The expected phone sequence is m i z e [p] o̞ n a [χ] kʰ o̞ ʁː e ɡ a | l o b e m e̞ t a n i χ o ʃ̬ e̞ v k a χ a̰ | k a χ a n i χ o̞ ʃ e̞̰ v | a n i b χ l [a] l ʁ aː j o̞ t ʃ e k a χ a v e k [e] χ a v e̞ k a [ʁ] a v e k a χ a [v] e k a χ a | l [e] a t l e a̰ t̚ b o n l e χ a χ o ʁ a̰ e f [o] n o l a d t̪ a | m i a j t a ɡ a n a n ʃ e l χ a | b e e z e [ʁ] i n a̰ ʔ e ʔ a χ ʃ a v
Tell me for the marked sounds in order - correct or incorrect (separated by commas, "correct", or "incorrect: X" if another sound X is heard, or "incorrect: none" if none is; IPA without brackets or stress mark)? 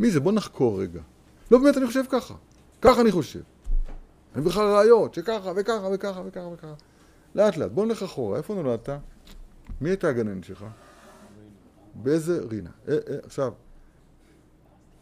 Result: incorrect: b, correct, correct, incorrect: a, incorrect: χ, correct, correct, correct, correct